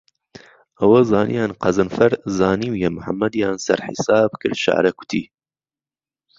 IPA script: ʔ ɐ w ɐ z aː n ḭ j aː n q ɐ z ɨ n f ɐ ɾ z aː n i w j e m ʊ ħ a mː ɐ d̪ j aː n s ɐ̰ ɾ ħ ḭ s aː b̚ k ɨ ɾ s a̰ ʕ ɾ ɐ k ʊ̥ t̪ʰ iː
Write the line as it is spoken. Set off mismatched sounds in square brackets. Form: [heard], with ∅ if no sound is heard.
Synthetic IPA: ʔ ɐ w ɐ z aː n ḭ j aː n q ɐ z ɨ n f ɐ ɾ z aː n i w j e m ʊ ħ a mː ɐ d̪ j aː n s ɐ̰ ɾ ħ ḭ s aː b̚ k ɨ ɾ [ʃ] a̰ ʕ ɾ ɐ k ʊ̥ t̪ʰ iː